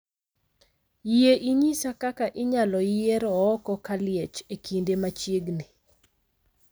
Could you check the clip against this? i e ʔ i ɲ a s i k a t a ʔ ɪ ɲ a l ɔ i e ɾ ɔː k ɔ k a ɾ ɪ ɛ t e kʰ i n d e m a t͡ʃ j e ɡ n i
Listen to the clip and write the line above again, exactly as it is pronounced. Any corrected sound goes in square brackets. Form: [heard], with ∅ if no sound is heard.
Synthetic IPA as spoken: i e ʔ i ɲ [i] s [a] k a [k] a ʔ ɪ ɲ a l ɔ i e ɾ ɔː k ɔ k a [l] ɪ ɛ [t͡ʃ] e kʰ i n d e m a t͡ʃ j e ɡ n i